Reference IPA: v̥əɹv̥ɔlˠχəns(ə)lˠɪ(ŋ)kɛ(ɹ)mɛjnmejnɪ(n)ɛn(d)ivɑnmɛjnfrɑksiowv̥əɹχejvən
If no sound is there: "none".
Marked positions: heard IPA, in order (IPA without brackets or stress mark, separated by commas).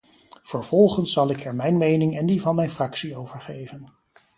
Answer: ɑ, none, ɹ, ŋ, d